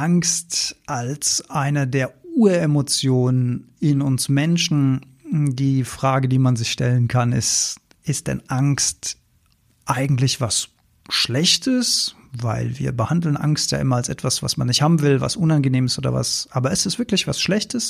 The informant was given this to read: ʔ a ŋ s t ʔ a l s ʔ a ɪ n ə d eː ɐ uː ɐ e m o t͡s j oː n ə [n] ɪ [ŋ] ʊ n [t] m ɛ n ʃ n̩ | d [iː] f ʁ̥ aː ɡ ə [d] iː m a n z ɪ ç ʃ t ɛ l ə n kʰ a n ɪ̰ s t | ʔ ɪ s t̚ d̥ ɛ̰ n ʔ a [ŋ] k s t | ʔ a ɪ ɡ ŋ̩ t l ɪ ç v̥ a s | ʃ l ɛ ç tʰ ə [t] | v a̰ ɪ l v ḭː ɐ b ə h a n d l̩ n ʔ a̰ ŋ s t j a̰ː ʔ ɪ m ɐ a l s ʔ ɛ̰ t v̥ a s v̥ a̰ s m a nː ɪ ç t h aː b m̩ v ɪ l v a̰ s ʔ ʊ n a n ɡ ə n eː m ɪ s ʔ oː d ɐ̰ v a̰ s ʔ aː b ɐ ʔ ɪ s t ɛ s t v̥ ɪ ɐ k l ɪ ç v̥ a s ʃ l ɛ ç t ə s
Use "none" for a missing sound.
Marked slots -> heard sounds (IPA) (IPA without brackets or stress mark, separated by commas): n, n, s, iː, d, ŋ, s